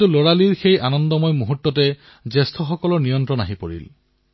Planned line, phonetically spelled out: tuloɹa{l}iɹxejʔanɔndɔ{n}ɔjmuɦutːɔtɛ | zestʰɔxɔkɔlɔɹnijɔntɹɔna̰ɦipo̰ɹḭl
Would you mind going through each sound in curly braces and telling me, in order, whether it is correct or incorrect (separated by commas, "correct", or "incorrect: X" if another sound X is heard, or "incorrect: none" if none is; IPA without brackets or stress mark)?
correct, incorrect: m